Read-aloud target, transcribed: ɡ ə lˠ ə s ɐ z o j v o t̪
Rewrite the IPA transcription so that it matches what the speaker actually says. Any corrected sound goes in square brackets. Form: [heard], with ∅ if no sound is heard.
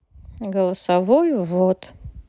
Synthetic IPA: ɡ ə lˠ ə s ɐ [v] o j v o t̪